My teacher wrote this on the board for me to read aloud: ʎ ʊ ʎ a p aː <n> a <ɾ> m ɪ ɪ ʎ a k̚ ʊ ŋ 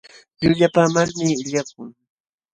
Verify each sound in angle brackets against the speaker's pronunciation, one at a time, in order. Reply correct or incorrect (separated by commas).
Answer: incorrect, correct